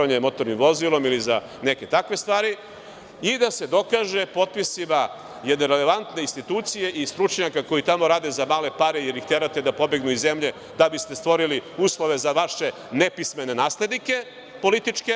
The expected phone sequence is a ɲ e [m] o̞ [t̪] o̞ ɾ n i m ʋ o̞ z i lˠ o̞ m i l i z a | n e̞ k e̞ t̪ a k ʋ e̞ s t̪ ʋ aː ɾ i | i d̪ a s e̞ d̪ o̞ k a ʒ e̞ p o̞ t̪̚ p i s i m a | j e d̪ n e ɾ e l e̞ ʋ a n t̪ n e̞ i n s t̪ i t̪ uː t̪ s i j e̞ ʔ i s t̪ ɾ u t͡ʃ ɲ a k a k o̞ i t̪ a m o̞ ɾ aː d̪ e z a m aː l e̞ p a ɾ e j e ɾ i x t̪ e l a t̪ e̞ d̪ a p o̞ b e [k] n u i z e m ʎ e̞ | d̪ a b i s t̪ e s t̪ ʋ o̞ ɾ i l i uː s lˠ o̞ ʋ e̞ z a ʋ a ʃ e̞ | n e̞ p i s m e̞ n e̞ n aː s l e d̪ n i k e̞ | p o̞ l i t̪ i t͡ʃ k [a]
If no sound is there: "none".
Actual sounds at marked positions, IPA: m, t̪, ɡ, e

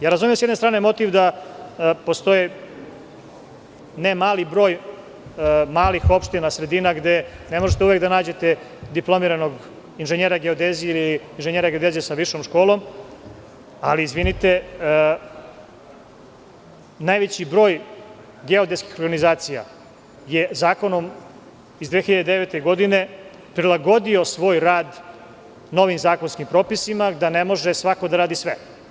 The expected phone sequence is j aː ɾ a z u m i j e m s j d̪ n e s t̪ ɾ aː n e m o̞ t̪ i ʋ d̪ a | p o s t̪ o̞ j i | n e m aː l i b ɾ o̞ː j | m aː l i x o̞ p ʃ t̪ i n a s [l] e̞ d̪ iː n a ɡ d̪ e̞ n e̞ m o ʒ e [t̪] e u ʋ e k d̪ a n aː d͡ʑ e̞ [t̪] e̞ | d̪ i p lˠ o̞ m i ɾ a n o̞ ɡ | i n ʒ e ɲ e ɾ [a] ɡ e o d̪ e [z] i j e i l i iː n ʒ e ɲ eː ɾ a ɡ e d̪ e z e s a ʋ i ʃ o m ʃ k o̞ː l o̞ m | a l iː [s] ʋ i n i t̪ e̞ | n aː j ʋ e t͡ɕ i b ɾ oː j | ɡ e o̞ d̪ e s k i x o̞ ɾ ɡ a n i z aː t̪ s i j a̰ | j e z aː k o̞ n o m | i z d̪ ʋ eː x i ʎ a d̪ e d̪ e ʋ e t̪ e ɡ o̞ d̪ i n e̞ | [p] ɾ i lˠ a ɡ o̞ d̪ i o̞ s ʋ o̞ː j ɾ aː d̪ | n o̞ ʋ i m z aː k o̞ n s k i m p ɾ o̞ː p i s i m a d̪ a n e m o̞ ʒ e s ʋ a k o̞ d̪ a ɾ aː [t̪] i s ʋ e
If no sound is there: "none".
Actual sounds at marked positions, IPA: ɾ, t̪, t̪, a, z, z, p, d̪

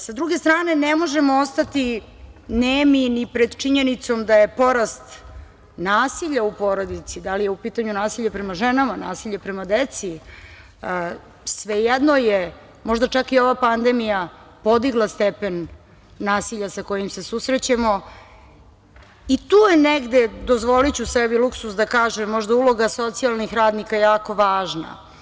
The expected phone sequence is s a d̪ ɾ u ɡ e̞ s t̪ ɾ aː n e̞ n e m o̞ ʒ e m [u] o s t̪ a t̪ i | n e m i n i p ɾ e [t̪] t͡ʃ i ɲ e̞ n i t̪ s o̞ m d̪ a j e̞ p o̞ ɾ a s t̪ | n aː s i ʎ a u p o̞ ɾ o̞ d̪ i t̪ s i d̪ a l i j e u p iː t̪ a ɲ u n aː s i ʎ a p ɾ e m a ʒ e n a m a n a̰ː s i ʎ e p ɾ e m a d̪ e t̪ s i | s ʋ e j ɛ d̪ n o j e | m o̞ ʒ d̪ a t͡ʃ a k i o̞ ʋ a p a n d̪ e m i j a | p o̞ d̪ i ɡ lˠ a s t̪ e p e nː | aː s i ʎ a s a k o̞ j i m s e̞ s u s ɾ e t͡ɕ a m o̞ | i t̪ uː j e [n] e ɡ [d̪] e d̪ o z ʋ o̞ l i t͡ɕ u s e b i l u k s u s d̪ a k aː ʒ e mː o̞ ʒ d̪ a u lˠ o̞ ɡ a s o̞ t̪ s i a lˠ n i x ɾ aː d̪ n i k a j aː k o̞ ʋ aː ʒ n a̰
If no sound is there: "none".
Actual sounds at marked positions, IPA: o, d̪, n, d̪

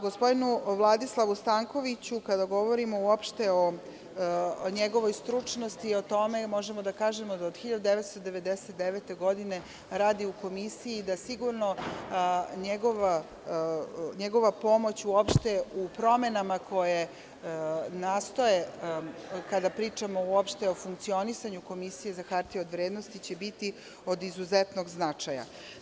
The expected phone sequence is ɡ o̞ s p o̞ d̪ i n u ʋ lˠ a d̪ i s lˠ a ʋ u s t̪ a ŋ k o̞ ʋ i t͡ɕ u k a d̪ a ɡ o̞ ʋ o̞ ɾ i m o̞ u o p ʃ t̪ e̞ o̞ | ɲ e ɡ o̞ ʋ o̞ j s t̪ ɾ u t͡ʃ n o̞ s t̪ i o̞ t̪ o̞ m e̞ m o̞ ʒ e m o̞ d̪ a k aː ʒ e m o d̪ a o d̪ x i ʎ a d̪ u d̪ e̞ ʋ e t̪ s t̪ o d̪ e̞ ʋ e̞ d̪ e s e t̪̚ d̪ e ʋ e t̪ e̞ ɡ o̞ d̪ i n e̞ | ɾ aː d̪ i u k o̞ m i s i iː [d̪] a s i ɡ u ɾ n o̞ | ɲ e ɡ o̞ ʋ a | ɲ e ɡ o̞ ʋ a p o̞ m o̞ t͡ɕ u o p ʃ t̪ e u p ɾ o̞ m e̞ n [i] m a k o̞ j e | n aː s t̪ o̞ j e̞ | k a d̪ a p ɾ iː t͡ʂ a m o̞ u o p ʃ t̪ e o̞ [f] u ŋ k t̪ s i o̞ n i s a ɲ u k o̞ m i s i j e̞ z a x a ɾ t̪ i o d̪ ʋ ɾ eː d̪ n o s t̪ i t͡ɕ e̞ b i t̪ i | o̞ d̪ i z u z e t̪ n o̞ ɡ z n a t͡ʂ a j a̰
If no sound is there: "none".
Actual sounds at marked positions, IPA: d̪, a, f

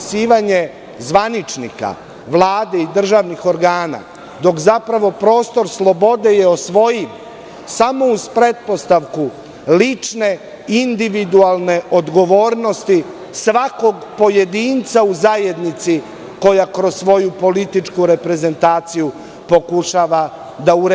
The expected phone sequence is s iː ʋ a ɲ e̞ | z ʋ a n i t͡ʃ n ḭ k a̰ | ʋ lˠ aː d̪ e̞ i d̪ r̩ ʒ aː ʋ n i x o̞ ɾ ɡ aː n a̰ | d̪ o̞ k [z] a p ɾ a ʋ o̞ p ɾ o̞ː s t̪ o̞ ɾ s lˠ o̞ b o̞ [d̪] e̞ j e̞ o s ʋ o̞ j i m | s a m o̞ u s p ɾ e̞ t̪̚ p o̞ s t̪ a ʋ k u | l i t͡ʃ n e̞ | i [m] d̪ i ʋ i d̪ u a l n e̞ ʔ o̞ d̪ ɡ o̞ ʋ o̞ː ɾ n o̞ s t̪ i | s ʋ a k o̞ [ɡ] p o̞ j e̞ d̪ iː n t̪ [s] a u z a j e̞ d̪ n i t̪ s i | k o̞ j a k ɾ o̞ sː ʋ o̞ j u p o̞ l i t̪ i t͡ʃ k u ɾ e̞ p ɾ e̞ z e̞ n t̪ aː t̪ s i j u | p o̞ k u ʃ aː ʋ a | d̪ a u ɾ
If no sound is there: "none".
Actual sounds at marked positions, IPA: z, d̪, n, ɡ, s

